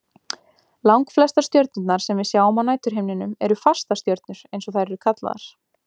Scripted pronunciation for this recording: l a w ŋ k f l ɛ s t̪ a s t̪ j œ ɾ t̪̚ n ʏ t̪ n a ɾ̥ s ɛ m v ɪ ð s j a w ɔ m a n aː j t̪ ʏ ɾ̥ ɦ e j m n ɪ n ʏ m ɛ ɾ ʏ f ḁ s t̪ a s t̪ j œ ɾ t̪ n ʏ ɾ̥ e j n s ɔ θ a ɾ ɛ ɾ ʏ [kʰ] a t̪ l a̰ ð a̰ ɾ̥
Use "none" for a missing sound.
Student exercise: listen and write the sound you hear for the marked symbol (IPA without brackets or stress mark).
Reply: kʰ